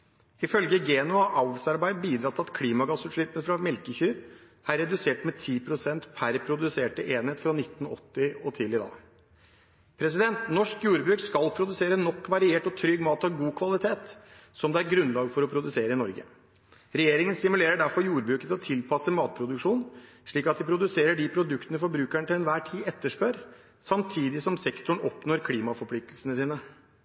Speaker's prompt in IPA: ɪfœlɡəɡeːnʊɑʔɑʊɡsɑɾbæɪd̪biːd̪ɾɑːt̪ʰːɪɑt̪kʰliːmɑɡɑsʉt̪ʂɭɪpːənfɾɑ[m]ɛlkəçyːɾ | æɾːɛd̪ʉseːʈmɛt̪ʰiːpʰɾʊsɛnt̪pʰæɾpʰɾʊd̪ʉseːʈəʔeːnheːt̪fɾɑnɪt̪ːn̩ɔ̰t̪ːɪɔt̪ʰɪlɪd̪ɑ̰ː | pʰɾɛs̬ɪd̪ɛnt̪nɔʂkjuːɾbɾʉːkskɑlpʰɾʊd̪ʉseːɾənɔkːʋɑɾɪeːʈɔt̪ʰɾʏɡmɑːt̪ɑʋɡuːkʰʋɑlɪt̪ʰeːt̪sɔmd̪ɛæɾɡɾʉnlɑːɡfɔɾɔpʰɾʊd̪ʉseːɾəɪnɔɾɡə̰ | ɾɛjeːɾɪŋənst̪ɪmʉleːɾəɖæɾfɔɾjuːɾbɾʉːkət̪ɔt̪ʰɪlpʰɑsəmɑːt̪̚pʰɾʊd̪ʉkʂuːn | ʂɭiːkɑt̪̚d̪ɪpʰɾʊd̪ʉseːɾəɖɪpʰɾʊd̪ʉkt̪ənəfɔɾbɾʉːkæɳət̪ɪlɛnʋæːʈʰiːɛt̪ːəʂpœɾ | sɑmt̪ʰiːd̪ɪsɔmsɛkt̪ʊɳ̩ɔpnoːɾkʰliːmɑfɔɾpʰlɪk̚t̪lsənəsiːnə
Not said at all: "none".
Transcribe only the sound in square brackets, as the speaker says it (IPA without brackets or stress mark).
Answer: m